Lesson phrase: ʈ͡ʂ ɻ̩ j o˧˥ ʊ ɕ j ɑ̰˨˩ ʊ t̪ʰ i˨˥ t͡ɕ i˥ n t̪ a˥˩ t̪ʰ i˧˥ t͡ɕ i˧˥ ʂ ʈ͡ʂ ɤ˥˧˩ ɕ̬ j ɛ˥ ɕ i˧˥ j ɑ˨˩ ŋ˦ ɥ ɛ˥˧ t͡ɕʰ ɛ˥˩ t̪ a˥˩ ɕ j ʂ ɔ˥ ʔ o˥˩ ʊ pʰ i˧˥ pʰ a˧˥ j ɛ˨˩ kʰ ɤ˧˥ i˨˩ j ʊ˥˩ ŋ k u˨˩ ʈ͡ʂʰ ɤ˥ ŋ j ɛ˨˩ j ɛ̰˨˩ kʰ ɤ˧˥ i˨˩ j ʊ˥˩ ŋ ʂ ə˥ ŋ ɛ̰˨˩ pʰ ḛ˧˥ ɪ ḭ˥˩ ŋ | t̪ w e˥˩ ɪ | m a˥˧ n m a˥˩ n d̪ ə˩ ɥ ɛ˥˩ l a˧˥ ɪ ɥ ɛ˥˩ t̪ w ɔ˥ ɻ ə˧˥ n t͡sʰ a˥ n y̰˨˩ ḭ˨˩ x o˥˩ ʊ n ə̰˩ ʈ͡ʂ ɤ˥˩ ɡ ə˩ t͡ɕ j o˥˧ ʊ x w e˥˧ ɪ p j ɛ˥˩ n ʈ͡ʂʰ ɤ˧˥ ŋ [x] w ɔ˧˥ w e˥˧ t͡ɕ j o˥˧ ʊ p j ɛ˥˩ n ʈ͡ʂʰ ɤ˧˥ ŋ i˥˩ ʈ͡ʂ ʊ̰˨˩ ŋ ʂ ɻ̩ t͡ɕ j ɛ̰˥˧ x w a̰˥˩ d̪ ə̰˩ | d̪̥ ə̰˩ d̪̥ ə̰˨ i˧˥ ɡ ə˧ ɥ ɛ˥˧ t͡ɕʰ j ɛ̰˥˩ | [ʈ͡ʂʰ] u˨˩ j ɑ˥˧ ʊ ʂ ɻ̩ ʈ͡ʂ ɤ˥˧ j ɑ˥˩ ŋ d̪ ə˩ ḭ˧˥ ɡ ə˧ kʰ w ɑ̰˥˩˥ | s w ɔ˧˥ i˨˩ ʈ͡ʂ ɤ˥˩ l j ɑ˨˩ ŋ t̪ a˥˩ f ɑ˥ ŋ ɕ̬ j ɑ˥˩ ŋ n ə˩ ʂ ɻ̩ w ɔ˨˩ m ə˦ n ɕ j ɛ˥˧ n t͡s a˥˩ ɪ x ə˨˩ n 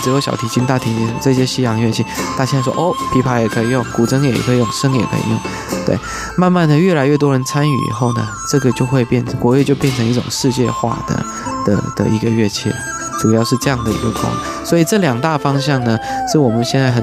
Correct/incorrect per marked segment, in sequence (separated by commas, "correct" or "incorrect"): incorrect, incorrect